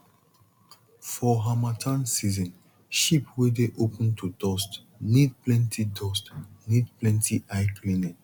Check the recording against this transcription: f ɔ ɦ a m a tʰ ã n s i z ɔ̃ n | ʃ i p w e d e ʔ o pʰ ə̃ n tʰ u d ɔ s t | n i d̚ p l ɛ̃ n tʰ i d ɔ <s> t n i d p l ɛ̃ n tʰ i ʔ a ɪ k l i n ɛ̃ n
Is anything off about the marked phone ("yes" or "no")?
no